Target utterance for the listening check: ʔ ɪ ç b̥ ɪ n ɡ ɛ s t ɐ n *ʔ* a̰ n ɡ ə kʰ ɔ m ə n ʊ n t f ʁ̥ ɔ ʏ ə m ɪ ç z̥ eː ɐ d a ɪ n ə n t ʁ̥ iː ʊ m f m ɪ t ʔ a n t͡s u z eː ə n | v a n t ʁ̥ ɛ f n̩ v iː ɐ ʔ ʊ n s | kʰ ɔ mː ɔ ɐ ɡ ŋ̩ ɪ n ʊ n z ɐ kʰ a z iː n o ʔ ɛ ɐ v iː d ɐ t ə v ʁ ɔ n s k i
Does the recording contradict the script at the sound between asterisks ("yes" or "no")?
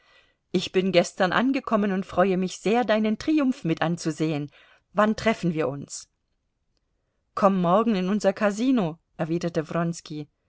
no